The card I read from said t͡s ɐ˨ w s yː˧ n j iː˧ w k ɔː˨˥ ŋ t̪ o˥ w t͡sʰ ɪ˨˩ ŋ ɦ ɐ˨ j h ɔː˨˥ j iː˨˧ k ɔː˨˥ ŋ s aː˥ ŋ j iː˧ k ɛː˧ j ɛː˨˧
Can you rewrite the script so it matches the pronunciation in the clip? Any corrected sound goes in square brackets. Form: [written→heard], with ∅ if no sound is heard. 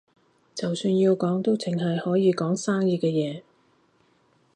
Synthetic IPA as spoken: t͡s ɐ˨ w s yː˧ n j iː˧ w k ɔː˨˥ ŋ t̪ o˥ w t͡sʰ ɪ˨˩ ŋ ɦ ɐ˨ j h ɔː˨˥ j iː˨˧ k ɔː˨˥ ŋ s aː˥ ŋ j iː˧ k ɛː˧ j ɛː˨˧